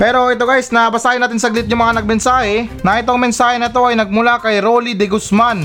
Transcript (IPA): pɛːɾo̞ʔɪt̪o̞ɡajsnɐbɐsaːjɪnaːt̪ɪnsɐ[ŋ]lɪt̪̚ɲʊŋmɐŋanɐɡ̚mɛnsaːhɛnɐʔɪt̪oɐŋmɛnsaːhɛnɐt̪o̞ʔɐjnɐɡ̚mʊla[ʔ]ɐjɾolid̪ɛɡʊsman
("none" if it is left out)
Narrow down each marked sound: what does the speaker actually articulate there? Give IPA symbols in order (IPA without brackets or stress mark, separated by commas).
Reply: ɡ, k